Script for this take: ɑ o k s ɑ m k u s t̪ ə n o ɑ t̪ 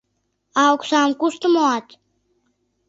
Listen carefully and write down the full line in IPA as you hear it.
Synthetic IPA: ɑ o k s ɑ m k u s t̪ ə m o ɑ t̪